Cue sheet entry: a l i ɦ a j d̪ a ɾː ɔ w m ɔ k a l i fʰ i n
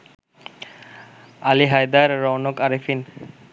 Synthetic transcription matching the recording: a l i ɦ a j d̪ a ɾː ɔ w n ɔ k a ɾ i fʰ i n